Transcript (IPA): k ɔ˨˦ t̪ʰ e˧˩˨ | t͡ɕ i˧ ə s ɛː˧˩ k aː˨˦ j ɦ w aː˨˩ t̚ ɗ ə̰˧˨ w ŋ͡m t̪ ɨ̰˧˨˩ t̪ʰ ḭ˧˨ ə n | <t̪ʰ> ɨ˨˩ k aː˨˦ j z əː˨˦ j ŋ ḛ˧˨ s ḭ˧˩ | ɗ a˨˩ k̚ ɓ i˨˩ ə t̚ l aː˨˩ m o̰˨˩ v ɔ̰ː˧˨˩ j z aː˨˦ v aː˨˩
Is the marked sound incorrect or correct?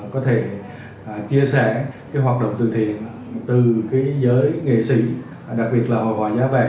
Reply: incorrect